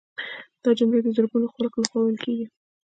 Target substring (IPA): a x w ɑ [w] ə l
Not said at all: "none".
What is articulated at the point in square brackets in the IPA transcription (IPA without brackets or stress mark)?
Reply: w